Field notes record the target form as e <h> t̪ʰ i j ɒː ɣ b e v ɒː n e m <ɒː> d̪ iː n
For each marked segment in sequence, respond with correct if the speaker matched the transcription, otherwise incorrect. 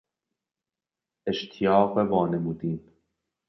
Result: incorrect: ʃ, incorrect: uː

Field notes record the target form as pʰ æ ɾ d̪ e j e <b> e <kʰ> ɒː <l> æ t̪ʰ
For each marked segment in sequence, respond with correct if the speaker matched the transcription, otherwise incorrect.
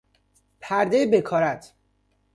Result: correct, correct, incorrect: ɾ

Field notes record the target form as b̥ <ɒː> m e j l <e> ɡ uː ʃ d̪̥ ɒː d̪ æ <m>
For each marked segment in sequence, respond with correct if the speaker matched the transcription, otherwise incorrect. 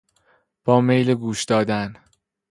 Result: correct, correct, incorrect: n

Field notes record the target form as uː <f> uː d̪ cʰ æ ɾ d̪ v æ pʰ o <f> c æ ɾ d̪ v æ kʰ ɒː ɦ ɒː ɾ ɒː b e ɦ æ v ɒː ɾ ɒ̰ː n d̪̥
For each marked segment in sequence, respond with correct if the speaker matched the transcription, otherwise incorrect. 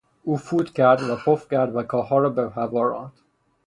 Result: correct, correct

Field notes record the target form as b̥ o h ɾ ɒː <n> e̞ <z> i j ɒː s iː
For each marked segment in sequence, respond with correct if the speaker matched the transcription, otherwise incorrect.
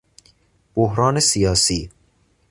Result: correct, incorrect: s

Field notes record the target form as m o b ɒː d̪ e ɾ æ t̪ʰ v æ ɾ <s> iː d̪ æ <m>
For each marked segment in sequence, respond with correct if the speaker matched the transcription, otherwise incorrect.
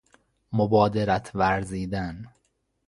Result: incorrect: z, incorrect: n

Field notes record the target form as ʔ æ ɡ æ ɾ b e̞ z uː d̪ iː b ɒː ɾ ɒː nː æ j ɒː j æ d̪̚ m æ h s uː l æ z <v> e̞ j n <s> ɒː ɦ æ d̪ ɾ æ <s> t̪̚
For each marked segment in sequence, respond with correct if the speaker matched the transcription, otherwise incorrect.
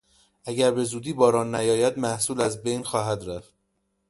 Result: incorrect: b, incorrect: x, incorrect: f

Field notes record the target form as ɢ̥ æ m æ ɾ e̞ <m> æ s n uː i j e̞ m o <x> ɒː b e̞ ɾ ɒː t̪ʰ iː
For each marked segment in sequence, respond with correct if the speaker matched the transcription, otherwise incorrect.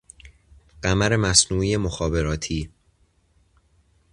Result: correct, correct

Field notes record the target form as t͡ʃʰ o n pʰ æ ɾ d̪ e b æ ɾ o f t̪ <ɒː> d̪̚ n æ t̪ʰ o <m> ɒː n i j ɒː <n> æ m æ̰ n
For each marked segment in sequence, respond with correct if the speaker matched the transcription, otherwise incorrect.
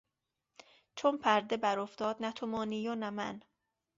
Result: correct, correct, correct

